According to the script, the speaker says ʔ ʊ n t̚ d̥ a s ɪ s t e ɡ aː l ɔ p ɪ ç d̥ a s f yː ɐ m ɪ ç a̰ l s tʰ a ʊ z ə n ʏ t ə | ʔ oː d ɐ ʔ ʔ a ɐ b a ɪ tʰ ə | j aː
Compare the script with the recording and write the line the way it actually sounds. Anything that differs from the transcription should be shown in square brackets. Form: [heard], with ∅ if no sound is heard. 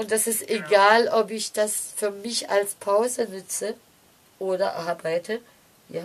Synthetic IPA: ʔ ʊ n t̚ d̥ a s ɪ s t e ɡ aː l ɔ p ɪ ç d̥ a s f yː ɐ m ɪ ç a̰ l s [pʰ] a ʊ z ə n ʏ [t͡s] ə | ʔ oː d ɐ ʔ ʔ a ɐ b a ɪ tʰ ə | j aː